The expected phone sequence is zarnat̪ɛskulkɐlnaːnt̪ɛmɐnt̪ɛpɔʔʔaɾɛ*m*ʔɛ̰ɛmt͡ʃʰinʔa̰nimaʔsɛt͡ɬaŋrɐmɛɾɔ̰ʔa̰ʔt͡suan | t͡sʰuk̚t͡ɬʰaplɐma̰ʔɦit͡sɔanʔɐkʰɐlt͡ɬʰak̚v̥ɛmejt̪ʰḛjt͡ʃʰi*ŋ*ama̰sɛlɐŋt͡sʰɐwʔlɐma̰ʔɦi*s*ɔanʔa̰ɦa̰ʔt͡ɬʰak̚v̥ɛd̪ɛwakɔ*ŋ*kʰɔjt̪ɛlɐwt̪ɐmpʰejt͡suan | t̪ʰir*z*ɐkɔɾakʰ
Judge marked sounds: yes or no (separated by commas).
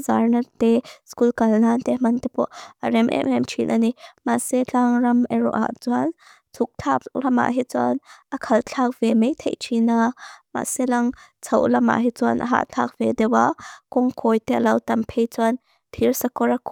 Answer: yes, no, no, yes, no